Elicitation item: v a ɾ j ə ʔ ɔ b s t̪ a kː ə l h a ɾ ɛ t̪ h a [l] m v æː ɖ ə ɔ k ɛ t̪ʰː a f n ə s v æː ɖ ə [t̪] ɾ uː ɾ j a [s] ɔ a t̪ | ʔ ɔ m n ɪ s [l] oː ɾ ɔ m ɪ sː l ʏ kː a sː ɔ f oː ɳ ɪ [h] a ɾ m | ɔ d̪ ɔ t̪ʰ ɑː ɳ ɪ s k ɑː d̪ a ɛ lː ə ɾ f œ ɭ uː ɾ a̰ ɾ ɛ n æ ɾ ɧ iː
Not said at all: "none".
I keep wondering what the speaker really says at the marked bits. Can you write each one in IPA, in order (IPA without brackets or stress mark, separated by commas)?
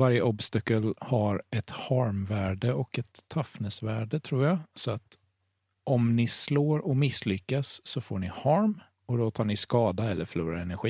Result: ɾ, t̪ʰ, s, l, h